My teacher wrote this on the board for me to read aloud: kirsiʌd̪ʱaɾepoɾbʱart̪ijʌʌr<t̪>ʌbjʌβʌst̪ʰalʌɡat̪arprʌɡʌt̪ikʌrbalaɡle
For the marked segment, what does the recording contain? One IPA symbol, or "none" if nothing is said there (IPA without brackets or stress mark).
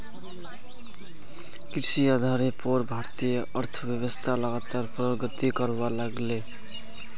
t̪ʰ